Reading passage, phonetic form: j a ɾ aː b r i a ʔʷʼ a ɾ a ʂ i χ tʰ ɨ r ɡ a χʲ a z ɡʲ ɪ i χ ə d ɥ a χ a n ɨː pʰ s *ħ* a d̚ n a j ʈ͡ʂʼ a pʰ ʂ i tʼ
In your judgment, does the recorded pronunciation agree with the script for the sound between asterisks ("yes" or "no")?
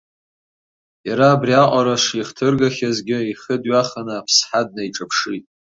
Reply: yes